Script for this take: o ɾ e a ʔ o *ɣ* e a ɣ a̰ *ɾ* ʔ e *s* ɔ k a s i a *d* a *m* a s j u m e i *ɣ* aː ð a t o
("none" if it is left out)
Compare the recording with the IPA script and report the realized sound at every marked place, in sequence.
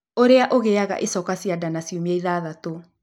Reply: ɣ, none, s, d, n, ð

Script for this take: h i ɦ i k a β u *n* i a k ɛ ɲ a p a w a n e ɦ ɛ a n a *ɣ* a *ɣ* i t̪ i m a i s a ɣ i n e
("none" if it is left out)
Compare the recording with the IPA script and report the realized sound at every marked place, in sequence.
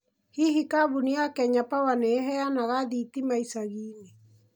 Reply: n, ɣ, ð

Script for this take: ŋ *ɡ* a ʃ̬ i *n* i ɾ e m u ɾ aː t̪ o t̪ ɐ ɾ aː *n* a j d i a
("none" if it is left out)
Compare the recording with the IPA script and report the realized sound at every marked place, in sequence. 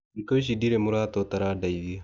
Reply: k, d, d

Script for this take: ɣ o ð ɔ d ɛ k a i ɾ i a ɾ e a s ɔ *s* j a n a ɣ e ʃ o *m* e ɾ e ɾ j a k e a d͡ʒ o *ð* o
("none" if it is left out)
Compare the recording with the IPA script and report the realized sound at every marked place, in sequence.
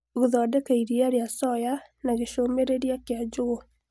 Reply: none, m, ɣ

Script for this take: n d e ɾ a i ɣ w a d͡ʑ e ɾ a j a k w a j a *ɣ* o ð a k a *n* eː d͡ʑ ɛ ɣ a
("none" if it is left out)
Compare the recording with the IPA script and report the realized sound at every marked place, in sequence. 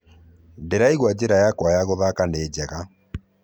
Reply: ɣ, n

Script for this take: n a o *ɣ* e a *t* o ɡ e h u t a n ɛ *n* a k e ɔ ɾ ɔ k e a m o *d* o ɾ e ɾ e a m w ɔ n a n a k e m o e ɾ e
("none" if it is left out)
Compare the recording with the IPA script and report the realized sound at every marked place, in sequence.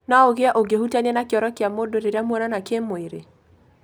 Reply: ɣ, ʔ, n, d

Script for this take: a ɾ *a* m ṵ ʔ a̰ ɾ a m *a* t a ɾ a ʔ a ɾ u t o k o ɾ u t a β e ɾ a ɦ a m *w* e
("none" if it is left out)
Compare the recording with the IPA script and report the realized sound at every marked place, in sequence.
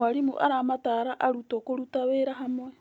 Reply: i, a, w

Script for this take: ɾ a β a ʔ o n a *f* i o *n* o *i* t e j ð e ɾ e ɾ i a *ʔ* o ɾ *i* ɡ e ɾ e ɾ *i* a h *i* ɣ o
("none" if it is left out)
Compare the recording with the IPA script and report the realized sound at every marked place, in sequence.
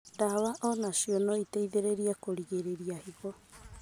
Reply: s, n, i, k, i, i, i

